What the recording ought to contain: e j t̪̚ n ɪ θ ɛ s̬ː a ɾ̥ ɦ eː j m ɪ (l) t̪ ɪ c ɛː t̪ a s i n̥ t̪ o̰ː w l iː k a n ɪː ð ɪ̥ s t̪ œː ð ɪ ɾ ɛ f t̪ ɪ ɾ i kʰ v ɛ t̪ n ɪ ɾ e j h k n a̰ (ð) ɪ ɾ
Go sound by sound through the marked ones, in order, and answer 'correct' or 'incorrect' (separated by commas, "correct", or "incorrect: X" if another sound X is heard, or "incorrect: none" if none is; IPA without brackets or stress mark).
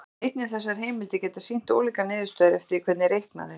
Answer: correct, correct